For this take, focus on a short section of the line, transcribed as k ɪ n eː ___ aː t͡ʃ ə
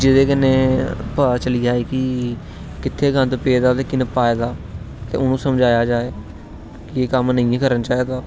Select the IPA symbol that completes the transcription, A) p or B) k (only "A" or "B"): A